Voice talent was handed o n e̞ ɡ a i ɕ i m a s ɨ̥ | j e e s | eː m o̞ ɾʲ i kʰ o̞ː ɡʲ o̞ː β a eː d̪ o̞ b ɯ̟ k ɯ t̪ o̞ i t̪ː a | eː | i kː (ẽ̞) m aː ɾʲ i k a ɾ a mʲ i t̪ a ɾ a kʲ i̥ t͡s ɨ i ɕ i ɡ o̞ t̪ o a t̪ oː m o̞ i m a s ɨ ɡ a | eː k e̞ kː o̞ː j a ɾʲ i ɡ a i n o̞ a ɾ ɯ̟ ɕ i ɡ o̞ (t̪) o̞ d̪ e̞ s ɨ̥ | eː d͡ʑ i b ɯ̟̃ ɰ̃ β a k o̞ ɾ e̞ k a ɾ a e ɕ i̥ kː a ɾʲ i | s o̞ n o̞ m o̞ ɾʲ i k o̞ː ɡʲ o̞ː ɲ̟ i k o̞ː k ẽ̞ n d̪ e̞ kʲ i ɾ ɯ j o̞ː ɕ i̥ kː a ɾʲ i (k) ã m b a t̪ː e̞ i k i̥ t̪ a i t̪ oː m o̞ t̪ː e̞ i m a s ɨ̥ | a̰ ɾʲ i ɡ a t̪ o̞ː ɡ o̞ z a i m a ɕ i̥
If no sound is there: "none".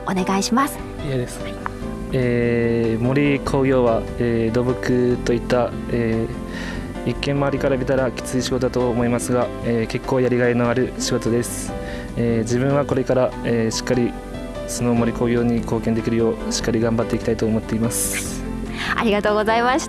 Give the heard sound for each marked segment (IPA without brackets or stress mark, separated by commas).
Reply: ẽ̞, t̪, ɡ